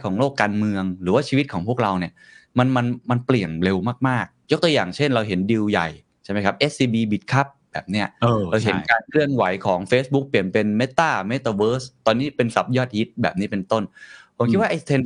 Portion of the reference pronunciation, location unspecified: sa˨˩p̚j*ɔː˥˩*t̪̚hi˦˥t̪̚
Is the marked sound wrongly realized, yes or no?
no